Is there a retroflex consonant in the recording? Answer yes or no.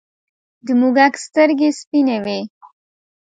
no